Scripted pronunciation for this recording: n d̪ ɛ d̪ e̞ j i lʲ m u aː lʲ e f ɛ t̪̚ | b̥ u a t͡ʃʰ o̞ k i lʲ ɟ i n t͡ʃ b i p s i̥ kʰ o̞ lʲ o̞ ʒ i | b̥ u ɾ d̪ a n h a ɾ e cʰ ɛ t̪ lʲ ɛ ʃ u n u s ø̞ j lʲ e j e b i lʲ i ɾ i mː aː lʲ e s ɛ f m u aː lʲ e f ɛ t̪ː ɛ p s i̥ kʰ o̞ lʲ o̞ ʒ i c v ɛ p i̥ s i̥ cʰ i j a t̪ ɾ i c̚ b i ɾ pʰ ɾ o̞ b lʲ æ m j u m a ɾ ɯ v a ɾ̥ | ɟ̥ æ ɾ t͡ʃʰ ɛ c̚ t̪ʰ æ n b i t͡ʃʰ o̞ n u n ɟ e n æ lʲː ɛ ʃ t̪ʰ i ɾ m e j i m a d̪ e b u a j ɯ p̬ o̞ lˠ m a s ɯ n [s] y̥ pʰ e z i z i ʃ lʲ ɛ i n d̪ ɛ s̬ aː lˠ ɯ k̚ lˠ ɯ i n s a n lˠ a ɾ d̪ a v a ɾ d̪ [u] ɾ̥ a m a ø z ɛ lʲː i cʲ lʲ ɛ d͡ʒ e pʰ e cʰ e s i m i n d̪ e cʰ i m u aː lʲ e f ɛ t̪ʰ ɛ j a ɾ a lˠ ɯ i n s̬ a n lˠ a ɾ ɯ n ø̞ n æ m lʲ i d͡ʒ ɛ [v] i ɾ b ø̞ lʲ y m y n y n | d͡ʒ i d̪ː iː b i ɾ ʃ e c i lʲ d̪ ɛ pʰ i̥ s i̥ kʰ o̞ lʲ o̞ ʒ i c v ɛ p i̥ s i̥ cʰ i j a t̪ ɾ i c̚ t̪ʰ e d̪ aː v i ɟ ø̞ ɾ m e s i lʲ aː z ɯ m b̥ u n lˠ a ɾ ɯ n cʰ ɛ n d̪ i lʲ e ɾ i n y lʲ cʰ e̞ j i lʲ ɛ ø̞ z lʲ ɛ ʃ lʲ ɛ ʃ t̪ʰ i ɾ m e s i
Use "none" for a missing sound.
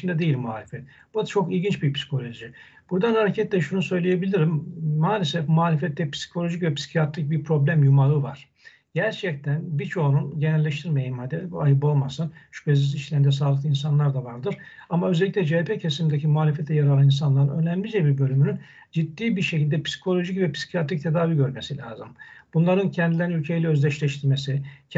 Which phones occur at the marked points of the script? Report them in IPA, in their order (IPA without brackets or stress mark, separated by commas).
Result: ʃ, ɯ, b